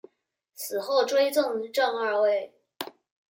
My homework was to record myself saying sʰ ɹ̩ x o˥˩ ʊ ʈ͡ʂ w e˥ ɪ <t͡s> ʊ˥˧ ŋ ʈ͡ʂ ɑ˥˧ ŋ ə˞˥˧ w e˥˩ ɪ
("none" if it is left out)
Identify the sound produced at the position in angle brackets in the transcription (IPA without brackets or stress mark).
t͡s